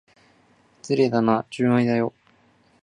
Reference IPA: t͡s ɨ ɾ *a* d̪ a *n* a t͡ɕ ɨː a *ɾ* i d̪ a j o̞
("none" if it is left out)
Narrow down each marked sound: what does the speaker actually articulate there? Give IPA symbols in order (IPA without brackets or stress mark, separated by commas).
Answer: e, n, none